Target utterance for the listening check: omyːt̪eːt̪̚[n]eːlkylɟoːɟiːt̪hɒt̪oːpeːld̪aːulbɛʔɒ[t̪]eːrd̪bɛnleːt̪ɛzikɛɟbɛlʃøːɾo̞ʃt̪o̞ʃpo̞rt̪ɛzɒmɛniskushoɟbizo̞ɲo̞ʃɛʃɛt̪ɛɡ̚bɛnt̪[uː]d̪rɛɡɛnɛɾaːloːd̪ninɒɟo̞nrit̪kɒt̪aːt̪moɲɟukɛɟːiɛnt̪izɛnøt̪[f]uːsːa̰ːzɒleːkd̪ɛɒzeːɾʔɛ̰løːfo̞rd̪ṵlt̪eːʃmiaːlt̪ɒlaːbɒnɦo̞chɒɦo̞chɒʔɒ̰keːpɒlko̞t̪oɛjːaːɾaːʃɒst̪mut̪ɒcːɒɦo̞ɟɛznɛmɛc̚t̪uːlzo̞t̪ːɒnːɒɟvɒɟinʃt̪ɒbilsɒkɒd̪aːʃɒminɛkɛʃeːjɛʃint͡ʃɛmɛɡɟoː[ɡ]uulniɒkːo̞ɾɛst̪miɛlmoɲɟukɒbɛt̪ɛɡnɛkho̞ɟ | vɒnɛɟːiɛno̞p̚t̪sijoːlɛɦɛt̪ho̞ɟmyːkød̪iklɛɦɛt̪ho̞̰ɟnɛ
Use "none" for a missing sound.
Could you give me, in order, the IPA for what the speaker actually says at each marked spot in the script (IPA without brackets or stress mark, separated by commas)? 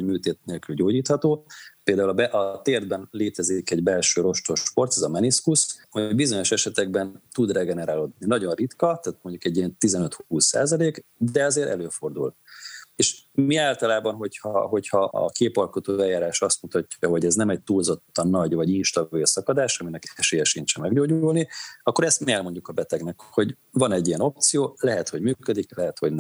n, t̪, u, h, ɟ